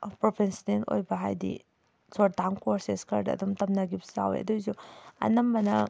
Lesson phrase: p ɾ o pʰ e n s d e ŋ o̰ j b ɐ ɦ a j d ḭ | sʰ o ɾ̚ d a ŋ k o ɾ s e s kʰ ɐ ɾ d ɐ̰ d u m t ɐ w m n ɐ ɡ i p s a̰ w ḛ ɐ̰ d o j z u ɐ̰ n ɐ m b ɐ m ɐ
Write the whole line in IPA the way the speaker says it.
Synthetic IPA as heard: p ɾ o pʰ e n s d e n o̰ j b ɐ ɦ a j d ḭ | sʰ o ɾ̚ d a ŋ k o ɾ s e s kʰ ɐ ɾ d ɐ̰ d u m t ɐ m n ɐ ɡ i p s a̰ w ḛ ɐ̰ d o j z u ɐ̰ n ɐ m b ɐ n ɐ